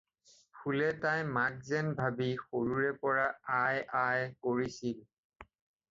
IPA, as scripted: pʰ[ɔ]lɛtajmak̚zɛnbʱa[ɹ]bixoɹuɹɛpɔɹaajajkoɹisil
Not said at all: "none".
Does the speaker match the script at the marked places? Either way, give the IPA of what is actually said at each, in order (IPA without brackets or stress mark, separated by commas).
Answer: u, none